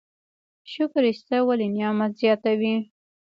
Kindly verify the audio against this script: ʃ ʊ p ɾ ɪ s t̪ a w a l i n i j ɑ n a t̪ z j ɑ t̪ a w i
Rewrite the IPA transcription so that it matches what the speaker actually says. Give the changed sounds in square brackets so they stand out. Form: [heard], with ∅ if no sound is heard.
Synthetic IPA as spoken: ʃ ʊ [k] ɾ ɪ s t̪ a w a l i n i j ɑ [m] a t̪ z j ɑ t̪ a w i

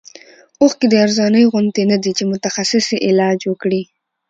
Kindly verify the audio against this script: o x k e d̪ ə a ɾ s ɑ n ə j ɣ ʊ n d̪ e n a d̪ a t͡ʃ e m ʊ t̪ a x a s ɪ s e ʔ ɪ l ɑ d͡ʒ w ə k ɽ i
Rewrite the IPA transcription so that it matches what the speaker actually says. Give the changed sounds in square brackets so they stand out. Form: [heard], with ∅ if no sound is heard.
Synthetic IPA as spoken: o x k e d̪ ə a ɾ [z] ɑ n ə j ɣ ʊ n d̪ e n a d̪ [i] t͡ʃ e m ʊ t̪ a x a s ɪ s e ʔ ɪ l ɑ d͡ʒ w ə k ɽ i

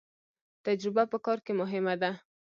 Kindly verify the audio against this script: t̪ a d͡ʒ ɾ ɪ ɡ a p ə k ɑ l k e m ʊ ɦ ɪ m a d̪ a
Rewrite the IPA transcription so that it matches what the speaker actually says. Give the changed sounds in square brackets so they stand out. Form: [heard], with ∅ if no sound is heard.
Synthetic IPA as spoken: t̪ a d͡ʒ ɾ ɪ [b] a p ə k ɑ [ɾ] k e m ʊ ɦ ɪ m a d̪ a

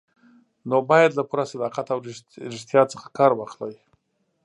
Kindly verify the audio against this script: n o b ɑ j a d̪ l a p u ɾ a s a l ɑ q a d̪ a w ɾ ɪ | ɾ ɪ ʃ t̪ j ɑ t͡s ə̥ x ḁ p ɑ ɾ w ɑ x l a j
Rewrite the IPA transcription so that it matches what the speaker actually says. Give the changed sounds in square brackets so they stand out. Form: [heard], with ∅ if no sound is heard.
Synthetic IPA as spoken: n o b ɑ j a d̪ l a p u ɾ a s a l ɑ q a [t̪] a w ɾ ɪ | ɾ ɪ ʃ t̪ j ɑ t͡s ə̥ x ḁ [k] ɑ ɾ w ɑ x l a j

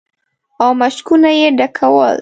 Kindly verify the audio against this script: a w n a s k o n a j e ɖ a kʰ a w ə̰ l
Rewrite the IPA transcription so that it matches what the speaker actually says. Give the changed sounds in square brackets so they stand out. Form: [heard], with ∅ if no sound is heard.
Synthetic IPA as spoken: a w [m] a [ʃ] k [u] n a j e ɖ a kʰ a w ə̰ l

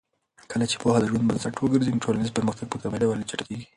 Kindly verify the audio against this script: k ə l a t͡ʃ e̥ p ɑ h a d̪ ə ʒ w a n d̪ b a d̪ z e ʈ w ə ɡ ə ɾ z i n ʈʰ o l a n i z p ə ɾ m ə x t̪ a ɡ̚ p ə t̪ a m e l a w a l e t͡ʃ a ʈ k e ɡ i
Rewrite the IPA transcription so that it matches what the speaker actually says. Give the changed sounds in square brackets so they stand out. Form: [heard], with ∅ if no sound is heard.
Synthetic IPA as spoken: k ə l a t͡ʃ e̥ p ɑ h a d̪ ə ʒ w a n d̪ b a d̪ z [a] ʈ w ə ɡ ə ɾ z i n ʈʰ o l a n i z p ə ɾ m ə x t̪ a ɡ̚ p ə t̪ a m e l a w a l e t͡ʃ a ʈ k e ɡ i

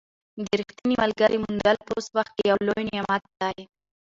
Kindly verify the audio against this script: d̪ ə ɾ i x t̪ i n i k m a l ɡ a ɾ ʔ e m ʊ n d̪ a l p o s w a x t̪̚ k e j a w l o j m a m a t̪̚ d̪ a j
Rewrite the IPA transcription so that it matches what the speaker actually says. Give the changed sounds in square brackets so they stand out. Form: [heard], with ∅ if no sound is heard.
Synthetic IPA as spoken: d̪ ə ɾ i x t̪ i n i [∅] m a l ɡ a ɾ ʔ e m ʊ n d̪ a l p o s w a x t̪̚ k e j a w l o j [n] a m a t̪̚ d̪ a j

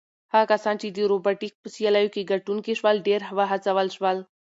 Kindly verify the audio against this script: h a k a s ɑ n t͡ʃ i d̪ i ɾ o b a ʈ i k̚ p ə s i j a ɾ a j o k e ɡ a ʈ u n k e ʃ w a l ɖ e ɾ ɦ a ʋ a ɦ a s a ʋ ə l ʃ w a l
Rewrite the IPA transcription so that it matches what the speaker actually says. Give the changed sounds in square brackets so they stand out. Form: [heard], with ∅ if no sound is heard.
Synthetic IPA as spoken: h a k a s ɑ n t͡ʃ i d̪ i ɾ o b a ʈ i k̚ p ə s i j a [l] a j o k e ɡ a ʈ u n k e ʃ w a l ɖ e ɾ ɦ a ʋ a ɦ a [t͡s] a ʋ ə l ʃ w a l

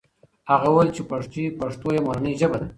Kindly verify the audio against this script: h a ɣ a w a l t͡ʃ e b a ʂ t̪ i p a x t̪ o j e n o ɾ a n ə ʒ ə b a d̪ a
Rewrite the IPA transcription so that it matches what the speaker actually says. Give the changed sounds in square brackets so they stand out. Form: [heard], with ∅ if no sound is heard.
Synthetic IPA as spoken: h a ɣ a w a l t͡ʃ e [p] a ʂ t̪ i p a [ʂ] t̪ o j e [m] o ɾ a n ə ʒ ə b a d̪ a

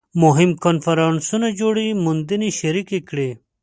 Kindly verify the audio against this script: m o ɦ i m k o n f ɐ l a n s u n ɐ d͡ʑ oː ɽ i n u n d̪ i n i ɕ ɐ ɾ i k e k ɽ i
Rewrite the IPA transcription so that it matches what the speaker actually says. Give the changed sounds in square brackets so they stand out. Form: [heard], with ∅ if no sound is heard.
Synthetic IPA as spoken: m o ɦ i m k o n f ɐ [ɾ] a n s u n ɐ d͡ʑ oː ɽ i [m] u n d̪ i n i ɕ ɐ ɾ i k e k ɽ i

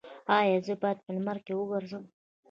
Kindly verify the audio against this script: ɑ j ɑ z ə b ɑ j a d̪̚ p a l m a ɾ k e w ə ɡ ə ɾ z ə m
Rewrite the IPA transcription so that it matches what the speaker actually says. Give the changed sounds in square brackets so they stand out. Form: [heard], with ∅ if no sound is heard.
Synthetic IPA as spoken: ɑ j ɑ z ə b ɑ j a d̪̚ p [ə] l m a ɾ k e w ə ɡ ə ɾ z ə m

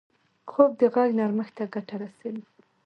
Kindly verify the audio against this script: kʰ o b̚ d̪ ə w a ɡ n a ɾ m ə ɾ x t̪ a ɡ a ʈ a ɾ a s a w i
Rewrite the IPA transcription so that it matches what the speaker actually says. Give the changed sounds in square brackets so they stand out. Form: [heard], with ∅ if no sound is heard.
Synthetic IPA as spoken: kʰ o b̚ d̪ ə [ɣ] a ɡ n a ɾ m ə [∅] x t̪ a ɡ a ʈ a ɾ a s a w i

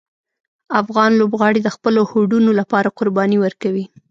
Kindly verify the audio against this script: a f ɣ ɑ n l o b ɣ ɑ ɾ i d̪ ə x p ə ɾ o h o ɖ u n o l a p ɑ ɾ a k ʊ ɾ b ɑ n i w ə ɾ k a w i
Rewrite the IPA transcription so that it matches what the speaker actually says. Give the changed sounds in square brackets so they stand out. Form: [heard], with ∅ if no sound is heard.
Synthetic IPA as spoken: a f ɣ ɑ n l o b ɣ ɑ [ɽ] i d̪ ə x p ə [l] o h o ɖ u n o l a p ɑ ɾ a [q] ʊ ɾ b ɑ n i w ə ɾ k a w i

